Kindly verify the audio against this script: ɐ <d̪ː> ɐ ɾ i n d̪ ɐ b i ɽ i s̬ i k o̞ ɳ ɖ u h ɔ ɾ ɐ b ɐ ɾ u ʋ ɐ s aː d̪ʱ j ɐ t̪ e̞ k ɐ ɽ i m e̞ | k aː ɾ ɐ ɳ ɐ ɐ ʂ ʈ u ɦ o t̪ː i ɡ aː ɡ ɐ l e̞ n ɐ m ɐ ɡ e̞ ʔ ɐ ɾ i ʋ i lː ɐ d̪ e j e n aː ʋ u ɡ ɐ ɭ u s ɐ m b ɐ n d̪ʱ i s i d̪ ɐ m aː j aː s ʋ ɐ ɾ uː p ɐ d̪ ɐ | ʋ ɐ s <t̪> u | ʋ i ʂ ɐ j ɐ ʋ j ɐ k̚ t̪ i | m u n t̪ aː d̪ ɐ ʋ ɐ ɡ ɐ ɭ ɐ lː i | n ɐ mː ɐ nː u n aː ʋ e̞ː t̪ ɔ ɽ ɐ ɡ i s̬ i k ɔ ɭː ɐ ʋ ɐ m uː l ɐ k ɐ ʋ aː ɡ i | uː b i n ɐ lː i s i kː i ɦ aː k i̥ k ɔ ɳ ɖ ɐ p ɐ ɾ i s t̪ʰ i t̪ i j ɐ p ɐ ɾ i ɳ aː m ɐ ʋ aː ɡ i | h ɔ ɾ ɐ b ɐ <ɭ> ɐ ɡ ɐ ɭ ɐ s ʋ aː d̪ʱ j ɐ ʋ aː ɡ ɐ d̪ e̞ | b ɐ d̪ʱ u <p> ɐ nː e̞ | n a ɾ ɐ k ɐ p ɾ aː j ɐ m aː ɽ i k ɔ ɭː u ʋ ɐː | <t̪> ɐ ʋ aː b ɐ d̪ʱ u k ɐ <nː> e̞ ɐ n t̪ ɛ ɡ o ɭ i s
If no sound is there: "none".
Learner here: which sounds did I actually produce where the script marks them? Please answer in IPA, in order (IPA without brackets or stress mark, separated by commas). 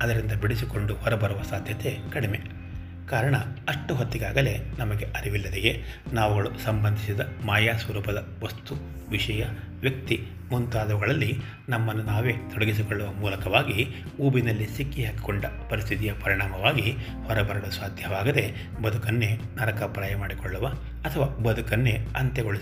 d̪, t̪, ɾ, k, t̪ʰ, nː